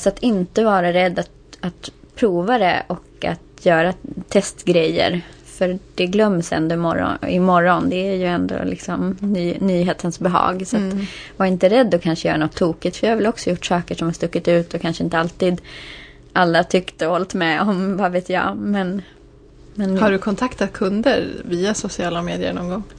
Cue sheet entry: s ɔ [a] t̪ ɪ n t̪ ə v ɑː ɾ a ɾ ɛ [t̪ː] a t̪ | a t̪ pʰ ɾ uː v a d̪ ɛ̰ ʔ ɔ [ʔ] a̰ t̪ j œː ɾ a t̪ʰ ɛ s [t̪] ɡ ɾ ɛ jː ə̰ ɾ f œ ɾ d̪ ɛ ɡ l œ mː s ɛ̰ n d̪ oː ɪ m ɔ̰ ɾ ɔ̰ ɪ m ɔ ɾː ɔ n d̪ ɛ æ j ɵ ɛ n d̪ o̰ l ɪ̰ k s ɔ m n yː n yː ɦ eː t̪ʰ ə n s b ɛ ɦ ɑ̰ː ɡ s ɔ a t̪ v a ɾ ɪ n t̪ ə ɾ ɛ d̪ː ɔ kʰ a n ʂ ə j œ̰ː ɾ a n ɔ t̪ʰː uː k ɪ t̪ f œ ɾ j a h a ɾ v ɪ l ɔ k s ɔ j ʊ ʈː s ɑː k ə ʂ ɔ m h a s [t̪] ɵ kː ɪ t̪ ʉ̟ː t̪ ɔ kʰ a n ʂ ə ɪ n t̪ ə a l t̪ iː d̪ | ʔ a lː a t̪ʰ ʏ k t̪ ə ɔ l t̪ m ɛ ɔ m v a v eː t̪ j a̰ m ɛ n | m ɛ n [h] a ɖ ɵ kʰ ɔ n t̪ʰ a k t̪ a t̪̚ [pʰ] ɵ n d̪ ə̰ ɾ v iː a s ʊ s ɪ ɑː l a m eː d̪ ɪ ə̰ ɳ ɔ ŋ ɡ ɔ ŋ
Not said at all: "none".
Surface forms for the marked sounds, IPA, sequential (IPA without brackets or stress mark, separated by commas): a, d̪ː, k, t̪, t̪, h, kʰ